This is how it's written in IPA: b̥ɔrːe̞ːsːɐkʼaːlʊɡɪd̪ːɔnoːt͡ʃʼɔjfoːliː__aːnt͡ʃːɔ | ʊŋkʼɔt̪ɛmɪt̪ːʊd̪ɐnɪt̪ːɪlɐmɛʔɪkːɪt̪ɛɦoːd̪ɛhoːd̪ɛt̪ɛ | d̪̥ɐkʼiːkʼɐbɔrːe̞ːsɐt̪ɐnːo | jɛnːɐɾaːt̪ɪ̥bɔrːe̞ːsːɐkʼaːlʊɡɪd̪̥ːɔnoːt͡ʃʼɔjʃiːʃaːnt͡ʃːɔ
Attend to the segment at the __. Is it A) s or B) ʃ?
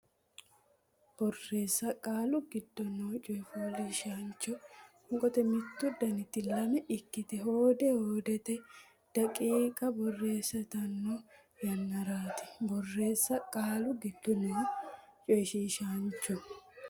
B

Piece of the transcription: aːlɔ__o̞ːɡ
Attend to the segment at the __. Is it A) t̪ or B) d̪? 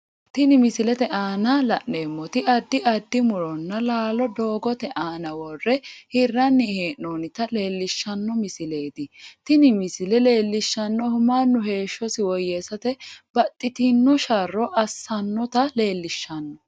B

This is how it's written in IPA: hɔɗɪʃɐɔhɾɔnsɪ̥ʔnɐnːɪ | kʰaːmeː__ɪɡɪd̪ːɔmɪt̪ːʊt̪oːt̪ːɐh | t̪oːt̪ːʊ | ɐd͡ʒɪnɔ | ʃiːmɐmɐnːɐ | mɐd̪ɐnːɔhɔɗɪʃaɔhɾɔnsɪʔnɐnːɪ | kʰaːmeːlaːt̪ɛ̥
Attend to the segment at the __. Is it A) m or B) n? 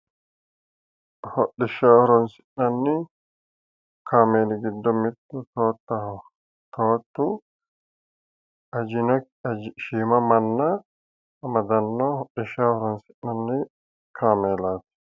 B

